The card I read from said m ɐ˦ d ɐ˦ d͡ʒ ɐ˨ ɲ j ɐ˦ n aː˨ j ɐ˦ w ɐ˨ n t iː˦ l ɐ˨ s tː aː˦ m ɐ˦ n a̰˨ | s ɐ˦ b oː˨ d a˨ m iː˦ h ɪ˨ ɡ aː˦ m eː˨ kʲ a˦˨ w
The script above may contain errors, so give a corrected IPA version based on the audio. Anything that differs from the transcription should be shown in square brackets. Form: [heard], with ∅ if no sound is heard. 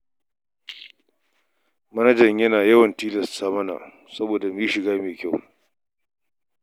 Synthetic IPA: m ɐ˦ [n] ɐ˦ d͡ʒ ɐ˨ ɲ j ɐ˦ n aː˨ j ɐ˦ w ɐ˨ n t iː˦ l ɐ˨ s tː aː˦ m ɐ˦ n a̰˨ | s ɐ˦ b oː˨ d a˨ m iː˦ [ʃ] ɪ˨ ɡ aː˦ m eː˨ kʲ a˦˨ w